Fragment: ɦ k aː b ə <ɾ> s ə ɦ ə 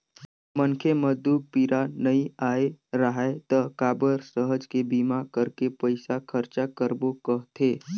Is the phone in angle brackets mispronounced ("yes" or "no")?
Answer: no